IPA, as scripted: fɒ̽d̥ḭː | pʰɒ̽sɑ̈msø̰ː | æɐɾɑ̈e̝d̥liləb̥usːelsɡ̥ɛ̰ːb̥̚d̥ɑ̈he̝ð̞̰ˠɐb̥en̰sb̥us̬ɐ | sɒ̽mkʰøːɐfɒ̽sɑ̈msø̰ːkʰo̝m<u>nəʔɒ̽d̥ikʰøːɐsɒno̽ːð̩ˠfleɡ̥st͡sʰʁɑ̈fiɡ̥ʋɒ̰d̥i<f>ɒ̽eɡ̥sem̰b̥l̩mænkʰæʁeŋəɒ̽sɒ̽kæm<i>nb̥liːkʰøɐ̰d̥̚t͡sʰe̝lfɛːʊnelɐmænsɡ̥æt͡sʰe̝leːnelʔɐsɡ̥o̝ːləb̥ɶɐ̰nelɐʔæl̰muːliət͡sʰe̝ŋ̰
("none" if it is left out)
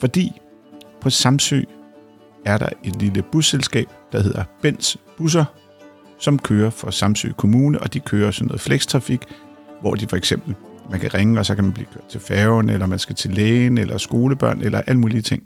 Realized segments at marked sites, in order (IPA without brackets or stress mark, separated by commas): uː, f, æ